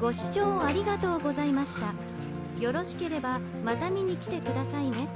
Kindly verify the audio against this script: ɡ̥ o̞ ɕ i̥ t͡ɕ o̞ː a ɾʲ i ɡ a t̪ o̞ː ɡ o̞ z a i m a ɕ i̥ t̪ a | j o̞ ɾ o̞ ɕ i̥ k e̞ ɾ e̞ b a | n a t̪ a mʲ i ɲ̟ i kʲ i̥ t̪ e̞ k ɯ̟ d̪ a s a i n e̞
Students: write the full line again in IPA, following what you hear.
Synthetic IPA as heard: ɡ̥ o̞ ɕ i̥ t͡ɕ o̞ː a ɾʲ i ɡ a t̪ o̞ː ɡ o̞ z a i m a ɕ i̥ t̪ a | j o̞ ɾ o̞ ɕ i̥ k e̞ ɾ e̞ b a | m a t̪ a mʲ i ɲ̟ i kʲ i̥ t̪ e̞ k ɯ̟ d̪ a s a i n e̞

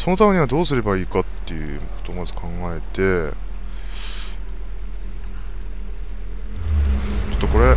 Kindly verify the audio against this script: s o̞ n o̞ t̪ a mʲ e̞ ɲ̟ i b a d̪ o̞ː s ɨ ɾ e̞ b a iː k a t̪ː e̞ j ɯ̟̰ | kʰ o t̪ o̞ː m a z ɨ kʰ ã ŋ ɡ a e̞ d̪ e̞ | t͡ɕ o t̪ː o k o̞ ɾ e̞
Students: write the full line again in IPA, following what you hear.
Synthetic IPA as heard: s o̞ n o̞ t̪ a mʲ e̞ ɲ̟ i β a d̪ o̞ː s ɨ ɾ e̞ b a iː k a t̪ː e̞ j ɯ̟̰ | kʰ o t̪ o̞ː m a z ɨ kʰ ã ŋ ɡ a e̞ t̪ e̞ | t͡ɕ o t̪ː o k o̞ ɾ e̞

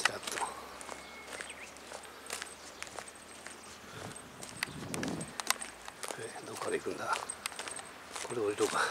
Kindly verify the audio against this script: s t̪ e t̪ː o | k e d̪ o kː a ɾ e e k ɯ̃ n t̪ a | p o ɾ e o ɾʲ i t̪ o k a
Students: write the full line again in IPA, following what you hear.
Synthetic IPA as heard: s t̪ a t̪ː o | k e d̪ o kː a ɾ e i k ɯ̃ n d̪ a | k o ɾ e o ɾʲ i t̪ o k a

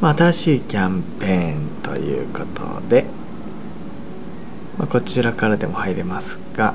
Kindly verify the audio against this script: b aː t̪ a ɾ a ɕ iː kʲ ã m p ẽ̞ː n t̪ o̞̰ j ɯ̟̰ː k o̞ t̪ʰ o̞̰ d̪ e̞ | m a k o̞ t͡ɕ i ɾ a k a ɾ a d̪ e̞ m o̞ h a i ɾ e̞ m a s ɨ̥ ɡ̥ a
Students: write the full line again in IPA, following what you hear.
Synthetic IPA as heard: m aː t̪ a ɾ a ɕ iː kʲ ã m p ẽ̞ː n t̪ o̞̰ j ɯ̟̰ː k o̞ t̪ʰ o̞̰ d̪ e̞ | m a k o̞ t͡ɕ i ɾ a k a ɾ a d̪ e̞ m o̞ h a i ɾ e̞ m a s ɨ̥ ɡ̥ a

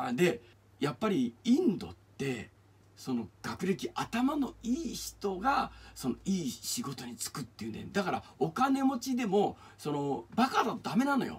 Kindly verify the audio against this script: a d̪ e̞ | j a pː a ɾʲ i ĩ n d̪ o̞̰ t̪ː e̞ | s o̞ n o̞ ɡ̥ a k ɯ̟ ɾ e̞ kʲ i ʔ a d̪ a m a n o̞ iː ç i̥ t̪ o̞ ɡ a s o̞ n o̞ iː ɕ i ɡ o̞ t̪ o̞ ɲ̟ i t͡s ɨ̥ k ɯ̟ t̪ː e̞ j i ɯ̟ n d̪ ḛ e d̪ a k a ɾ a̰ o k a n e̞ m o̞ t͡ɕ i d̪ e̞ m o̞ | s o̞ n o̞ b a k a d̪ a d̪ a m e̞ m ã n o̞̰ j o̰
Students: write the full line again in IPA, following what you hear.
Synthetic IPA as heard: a d̪ e̞ | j a pː a ɾʲ i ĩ n d̪ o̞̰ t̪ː e̞ | s o̞ n o̞ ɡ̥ a k ɯ̟ ɾ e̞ kʲ i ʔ a t̪ a m a n o̞ iː ç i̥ t̪ o̞ ɡ a s o̞ n o̞ iː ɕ i ɡ o̞ t̪ o̞ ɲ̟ i t͡s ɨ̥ k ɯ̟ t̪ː e̞ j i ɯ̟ n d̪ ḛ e d̪ a k a ɾ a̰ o k a n e̞ m o̞ t͡ɕ i d̪ e̞ m o̞ | s o̞ n o̞ b a k a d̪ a d̪ a m e̞ n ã n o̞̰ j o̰

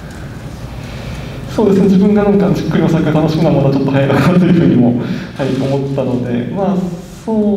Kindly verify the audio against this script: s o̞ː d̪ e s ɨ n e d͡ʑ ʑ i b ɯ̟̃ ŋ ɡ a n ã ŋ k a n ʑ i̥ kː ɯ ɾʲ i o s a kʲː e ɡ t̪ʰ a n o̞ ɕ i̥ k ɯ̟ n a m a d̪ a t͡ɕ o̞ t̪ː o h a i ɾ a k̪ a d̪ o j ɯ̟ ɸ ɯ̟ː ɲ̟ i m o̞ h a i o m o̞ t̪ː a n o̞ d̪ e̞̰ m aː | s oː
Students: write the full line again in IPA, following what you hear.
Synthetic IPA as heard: s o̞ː d̪ e s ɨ n e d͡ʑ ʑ i b ɯ̟̃ ŋ ɡ a n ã ŋ k a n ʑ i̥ kː ɯ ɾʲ i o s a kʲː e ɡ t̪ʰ a n o̞ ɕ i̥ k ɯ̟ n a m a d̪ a t͡ɕ o̞ t̪ː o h a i ɾ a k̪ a t̪ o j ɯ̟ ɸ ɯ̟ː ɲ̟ i m o̞ h a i o m o̞ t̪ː a n o̞ d̪ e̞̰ m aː | s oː

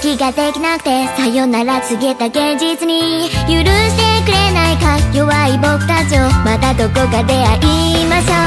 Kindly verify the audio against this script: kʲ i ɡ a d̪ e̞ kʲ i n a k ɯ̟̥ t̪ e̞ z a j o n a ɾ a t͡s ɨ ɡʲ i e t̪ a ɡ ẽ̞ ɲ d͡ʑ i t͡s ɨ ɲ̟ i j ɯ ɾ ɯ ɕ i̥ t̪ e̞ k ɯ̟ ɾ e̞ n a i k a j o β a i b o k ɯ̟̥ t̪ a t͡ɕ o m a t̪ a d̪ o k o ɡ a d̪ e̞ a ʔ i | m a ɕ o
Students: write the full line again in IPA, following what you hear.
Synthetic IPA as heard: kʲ i ɡ a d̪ e̞ kʲ i n a k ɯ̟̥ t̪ e̞ s a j o n a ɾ a t͡s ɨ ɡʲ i e t̪ a ɡ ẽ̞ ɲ d͡ʑ i t͡s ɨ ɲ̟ i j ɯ ɾ ɯ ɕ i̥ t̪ e̞ k ɯ̟ ɾ e̞ n a i k a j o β a i b o k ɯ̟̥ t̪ a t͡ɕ o m a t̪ a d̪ o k o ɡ a d̪ e̞ a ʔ i | m a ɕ o

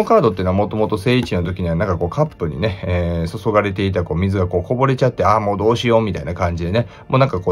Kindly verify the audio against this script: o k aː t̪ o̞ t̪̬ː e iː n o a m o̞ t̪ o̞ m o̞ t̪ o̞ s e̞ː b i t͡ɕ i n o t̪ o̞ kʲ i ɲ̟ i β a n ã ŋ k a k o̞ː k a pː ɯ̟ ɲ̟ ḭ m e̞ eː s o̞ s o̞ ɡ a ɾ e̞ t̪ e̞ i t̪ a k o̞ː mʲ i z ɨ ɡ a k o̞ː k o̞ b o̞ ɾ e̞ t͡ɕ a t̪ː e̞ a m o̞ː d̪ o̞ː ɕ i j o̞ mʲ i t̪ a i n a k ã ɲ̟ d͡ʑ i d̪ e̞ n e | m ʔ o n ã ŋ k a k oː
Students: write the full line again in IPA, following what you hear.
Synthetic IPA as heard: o k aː d̪ o̞ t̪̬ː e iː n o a m o̞ t̪ o̞ m o̞ t̪ o̞ s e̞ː i t͡ɕ i n o t̪ o̞ kʲ i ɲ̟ i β a n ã ŋ k a k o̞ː k a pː ɯ̟ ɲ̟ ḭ n e̞ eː s o̞ s o̞ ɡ a ɾ e̞ t̪ e̞ i t̪ a k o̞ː mʲ i z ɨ ɡ a k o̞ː k o̞ b o̞ ɾ e̞ t͡ɕ a t̪ː e̞ a m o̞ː d̪ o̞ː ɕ i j o̞ mʲ i t̪ a i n a k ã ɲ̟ d͡ʑ i d̪ e̞ n e | m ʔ o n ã ŋ k a k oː

